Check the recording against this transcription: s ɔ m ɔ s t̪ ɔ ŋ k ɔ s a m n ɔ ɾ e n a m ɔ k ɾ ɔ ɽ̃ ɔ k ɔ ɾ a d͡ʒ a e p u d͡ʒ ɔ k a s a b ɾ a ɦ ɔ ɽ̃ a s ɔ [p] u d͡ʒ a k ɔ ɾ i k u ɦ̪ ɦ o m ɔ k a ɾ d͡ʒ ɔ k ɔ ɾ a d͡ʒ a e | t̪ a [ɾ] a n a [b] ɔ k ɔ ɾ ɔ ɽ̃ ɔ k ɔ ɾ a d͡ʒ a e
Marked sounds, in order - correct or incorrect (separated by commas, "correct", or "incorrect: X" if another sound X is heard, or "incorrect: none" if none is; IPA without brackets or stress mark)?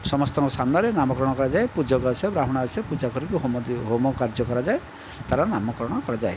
correct, correct, incorrect: m